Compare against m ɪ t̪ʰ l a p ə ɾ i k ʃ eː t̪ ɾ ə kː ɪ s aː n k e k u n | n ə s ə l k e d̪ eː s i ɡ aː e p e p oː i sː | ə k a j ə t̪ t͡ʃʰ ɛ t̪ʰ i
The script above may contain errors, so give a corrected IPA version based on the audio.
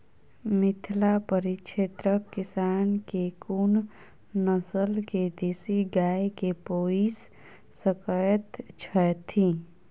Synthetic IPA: m ɪ t̪ʰ l a p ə ɾ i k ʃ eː t̪ ɾ ə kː ɪ s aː n k e k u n | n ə s ə l k e d̪ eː s i ɡ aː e k e p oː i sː | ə k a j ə t̪ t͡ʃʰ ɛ t̪ʰ i